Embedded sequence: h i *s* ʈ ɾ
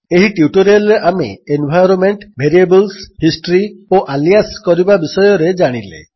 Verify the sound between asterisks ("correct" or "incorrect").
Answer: correct